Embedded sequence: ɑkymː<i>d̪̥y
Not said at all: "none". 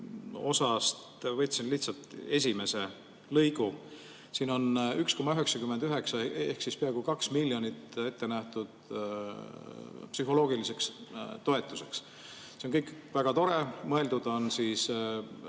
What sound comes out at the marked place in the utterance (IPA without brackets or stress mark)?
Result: e